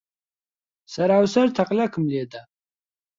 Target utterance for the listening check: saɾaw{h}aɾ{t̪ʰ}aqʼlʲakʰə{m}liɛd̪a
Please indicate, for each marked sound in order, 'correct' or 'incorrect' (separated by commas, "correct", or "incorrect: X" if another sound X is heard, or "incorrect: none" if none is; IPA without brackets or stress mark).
incorrect: s, correct, correct